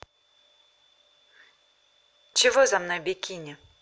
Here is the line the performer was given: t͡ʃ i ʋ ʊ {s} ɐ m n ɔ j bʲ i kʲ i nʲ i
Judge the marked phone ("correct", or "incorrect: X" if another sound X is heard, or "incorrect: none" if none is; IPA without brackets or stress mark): incorrect: z